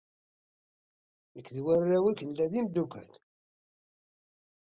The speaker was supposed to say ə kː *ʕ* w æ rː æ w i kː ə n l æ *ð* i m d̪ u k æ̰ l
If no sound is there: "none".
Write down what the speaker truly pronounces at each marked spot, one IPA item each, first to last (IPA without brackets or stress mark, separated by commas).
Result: ð, ð